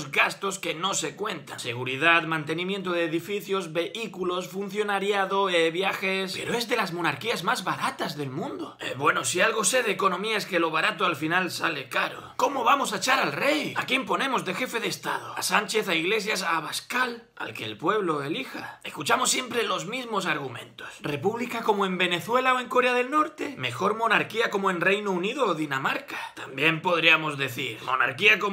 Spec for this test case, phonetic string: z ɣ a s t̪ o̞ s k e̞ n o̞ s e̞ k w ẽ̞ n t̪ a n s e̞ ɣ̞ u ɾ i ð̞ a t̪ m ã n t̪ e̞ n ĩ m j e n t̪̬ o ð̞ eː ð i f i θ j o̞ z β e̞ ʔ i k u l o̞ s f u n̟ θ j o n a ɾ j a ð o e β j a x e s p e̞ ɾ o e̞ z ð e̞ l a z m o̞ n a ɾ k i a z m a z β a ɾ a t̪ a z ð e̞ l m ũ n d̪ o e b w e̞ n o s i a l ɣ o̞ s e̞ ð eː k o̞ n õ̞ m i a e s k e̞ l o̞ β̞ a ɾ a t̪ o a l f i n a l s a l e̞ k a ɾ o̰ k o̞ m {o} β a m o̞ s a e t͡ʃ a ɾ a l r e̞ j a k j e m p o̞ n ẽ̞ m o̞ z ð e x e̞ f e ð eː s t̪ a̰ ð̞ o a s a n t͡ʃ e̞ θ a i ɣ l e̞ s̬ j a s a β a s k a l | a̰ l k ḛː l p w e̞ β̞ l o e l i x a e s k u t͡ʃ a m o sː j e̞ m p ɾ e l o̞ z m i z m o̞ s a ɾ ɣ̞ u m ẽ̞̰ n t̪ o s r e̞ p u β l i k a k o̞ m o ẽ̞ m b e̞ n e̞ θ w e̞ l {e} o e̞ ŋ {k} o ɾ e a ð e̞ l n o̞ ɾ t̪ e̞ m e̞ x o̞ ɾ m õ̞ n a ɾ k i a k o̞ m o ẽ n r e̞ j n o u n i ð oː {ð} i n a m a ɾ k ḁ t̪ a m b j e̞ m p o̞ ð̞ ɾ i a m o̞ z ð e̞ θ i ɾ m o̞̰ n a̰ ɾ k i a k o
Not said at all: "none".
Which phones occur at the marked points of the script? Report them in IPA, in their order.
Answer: o, a, k, ð

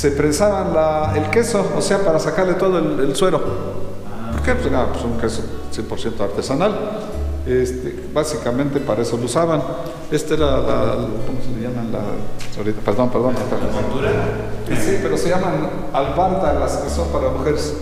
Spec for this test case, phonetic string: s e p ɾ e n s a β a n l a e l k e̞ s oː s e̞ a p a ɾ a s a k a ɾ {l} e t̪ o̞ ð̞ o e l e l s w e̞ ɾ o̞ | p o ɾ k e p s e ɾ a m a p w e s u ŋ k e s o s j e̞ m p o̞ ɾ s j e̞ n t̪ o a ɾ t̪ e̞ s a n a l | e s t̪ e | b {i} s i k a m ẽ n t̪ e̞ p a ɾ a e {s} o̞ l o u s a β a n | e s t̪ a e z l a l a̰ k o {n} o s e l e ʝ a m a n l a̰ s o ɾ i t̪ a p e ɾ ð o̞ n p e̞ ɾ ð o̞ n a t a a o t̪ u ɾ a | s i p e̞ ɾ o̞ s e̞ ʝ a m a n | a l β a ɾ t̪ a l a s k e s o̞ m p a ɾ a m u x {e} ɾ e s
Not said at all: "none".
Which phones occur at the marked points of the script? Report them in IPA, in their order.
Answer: l, a, s, m, e

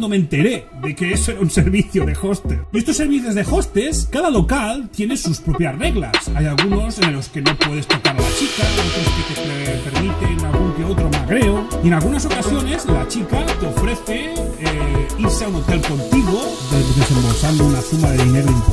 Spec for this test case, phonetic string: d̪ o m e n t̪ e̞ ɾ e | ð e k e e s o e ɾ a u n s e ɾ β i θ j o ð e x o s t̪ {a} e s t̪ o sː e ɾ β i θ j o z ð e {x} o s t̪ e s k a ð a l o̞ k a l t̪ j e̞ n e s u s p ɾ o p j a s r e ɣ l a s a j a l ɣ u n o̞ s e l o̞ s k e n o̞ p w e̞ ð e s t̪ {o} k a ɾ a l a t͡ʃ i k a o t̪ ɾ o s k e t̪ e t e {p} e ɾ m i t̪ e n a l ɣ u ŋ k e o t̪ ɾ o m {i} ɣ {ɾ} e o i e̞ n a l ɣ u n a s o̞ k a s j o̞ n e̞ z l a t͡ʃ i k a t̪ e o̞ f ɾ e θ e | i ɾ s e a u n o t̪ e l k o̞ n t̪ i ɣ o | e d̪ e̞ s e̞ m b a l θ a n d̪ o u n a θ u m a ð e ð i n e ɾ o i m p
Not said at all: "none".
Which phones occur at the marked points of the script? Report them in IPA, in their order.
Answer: e, x, o, p, a, ɾ

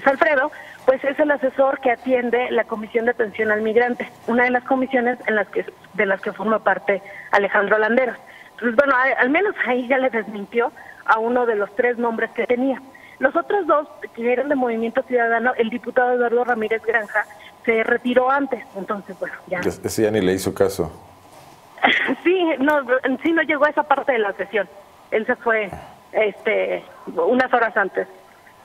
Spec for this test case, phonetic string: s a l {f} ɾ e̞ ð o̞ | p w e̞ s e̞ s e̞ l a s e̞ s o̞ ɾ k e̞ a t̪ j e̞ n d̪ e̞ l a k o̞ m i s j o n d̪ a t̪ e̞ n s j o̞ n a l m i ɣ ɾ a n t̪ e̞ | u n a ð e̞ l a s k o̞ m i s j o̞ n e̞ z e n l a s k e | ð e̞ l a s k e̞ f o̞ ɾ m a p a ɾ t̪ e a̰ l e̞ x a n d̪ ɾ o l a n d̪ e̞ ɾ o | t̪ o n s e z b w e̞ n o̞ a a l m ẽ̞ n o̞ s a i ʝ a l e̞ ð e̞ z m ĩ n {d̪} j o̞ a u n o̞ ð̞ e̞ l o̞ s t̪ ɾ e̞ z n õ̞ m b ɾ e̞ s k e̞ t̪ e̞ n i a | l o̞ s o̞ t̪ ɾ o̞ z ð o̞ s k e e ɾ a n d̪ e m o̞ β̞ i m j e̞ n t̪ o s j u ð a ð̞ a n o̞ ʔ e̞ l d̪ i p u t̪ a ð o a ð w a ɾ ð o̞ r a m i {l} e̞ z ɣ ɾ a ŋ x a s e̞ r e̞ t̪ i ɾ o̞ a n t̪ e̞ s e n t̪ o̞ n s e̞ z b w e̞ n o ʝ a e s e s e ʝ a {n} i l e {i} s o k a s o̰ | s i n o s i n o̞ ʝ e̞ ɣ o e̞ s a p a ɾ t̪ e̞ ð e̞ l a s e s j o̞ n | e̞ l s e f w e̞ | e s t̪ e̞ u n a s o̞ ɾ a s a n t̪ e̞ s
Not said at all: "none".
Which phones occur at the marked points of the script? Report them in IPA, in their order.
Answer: f, t̪, ɾ, n, i

